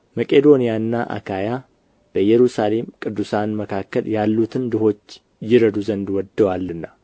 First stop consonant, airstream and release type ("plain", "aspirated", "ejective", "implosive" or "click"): ejective